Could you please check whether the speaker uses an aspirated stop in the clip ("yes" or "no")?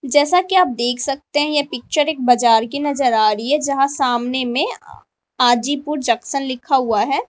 yes